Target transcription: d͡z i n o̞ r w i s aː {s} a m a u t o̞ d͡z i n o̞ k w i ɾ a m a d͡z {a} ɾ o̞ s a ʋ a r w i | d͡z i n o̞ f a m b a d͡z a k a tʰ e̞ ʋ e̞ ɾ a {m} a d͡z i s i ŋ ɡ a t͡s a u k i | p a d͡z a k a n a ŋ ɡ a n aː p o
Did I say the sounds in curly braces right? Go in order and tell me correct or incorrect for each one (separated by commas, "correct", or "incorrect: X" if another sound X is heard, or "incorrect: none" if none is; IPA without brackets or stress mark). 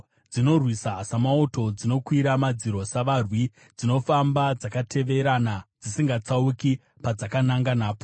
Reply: correct, incorrect: i, incorrect: n